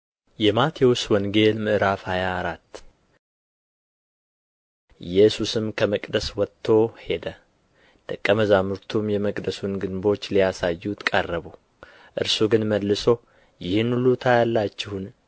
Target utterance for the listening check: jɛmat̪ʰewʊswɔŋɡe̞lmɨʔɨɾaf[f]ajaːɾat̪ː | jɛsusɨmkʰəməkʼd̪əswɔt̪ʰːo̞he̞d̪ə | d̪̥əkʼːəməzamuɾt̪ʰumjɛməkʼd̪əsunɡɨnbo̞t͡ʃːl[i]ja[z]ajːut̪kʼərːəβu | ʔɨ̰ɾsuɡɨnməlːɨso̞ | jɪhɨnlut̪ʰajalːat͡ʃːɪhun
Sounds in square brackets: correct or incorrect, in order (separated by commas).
incorrect, correct, incorrect